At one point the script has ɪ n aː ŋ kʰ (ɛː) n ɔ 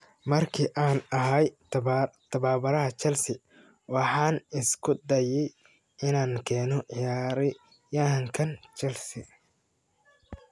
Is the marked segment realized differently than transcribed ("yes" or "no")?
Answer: no